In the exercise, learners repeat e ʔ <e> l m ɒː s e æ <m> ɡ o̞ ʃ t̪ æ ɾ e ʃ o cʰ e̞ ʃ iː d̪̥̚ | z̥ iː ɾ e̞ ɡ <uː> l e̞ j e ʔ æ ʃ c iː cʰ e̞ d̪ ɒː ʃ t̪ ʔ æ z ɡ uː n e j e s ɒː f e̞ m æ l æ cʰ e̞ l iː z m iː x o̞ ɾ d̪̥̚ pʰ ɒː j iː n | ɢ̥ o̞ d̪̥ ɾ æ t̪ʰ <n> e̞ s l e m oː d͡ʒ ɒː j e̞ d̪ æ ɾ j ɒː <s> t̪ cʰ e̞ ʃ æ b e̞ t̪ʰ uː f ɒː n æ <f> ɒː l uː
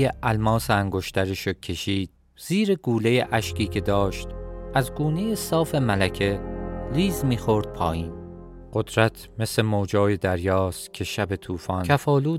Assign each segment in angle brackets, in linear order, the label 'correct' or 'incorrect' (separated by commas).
incorrect, incorrect, correct, incorrect, correct, correct